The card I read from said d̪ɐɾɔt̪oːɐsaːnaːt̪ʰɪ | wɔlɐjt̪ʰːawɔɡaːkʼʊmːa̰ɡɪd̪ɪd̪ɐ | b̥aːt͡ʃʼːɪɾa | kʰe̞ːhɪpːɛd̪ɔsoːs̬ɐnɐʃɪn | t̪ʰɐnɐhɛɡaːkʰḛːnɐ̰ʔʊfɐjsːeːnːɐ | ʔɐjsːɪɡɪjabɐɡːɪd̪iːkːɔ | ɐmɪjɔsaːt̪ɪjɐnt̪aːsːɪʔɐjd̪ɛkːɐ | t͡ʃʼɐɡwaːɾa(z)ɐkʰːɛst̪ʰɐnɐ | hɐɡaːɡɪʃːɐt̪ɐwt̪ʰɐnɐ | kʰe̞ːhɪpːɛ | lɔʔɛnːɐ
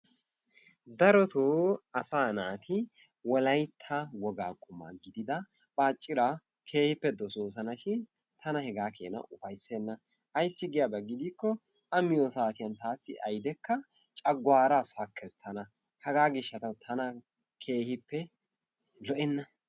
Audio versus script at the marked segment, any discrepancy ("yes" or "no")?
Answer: yes